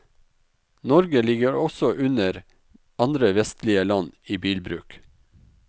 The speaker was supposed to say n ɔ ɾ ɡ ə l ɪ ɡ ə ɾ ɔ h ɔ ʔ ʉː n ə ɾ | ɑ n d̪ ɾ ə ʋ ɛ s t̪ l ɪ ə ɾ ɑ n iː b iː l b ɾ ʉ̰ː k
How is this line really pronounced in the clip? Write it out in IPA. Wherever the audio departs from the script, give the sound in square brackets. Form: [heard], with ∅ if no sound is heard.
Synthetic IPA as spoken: n ɔ ɾ ɡ ə l ɪ ɡ ə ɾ ɔ [s] ɔ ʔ [ʉ] n ə ɾ | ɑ n d̪ ɾ ə ʋ ɛ s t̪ l ɪ ə [l] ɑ n iː b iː l b ɾ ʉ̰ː k